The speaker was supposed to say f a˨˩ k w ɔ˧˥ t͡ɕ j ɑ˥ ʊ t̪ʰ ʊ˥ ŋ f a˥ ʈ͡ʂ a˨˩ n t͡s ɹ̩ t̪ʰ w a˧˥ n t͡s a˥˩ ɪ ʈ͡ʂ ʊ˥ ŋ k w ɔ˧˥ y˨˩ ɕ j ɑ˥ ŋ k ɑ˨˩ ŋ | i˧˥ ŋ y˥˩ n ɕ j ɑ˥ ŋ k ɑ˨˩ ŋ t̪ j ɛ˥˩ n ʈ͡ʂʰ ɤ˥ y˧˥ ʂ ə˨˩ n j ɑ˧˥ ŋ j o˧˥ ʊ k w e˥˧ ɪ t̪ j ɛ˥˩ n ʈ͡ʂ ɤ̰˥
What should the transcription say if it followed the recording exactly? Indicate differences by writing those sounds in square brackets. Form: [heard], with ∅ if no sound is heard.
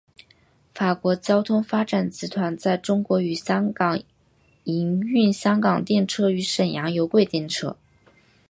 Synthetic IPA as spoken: f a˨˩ k w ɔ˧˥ t͡ɕ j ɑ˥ ʊ t̪ʰ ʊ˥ ŋ f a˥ ʈ͡ʂ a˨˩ n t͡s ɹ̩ t̪ʰ w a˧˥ n t͡s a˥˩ ɪ ʈ͡ʂ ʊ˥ ŋ k w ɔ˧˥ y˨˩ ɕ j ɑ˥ ŋ k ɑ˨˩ ŋ | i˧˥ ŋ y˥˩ n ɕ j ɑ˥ ŋ k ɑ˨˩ ŋ t̪ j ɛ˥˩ n ʈ͡ʂʰ ɤ˥ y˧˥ ʂ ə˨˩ n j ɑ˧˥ ŋ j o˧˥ ʊ k w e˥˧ ɪ t̪ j ɛ˥˩ n [ʈ͡ʂʰ] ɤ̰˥